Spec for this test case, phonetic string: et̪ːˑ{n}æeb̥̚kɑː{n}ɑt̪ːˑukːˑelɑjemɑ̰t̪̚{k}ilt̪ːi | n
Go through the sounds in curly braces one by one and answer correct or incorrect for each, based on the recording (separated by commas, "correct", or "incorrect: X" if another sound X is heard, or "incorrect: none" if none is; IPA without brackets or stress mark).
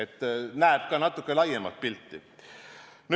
correct, correct, incorrect: p